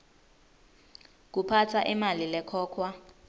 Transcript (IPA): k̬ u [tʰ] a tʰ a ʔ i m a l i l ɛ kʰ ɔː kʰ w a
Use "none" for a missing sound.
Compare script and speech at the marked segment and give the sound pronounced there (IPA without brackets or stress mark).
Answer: pʰ